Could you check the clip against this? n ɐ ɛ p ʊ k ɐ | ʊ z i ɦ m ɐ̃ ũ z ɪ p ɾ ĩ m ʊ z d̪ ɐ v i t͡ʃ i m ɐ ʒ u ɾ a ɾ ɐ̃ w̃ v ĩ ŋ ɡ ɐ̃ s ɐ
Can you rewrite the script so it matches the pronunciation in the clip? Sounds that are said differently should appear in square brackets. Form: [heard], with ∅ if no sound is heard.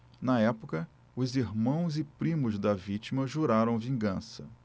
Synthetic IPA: n ɐ ɛ p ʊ k ɐ | ʊ z i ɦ m ɐ̃ [w̃] z ɪ p ɾ ĩ m ʊ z d̪ ɐ v i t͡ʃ i m ɐ ʒ u ɾ a ɾ ɐ̃ w̃ v ĩ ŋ ɡ ɐ̃ s ɐ